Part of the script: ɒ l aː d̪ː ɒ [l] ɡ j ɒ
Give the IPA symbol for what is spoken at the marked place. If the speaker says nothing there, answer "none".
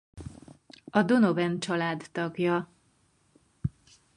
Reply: none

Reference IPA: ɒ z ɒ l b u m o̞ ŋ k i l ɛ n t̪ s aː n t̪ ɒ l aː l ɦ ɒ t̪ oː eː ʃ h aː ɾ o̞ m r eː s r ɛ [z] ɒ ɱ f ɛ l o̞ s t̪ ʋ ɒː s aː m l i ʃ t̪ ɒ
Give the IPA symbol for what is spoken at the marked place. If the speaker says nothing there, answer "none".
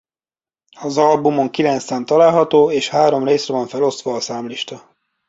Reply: v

